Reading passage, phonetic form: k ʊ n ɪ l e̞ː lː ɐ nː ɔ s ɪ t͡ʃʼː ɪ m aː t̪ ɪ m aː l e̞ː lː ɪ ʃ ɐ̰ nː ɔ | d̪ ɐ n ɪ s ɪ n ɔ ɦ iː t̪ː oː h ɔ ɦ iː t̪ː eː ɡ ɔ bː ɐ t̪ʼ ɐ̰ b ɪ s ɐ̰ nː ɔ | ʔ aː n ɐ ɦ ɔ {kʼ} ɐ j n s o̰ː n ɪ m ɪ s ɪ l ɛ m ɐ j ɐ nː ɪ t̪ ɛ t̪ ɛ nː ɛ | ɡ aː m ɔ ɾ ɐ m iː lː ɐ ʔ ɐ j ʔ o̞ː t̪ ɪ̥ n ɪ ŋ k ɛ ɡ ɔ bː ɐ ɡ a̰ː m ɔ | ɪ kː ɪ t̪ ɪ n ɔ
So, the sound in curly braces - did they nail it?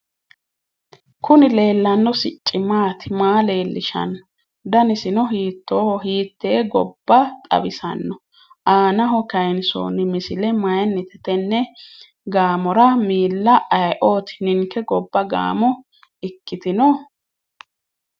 no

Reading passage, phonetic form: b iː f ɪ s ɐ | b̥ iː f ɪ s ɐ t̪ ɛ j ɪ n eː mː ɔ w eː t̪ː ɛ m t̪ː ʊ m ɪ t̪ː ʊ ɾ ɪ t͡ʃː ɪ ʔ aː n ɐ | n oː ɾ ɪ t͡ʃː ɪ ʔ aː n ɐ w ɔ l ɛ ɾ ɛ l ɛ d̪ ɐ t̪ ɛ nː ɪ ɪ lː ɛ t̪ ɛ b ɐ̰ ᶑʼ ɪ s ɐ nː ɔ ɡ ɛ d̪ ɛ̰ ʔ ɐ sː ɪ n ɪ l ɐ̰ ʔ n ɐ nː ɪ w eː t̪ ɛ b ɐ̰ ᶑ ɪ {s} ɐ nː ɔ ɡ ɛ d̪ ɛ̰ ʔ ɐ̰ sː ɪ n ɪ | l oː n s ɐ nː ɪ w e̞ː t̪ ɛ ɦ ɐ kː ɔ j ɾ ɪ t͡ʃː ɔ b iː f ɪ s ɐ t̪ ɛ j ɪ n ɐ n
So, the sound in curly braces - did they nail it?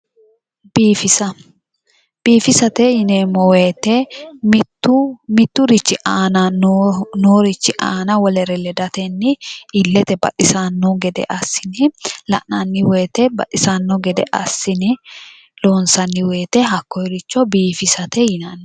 yes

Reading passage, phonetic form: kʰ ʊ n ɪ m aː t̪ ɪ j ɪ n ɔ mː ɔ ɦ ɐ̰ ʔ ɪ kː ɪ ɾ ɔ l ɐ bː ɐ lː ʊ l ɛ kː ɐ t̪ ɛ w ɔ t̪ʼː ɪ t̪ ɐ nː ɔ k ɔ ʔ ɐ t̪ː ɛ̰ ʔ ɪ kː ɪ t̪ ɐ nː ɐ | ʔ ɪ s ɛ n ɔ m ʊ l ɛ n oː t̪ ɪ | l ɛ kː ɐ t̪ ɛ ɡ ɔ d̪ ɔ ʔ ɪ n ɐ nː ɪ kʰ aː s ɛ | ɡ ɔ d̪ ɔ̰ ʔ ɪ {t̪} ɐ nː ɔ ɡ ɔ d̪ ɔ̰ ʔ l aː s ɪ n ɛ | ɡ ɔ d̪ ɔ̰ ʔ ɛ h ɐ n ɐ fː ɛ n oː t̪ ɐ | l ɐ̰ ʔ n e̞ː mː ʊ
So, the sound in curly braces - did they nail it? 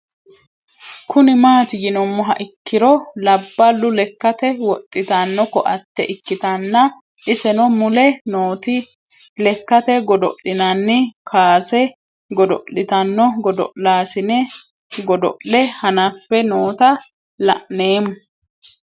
yes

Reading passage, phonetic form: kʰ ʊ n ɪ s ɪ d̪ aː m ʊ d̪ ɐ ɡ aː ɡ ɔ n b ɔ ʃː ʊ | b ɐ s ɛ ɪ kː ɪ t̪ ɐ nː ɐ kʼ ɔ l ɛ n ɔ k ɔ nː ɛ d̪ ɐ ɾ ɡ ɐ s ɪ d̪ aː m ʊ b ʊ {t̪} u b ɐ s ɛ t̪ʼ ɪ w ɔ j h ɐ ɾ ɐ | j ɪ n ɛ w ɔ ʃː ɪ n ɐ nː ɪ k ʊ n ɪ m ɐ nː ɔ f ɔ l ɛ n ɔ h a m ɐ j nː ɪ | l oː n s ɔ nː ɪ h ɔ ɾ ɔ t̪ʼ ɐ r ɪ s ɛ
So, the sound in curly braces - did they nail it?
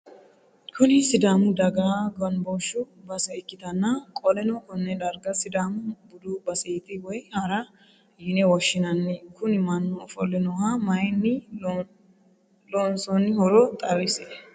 no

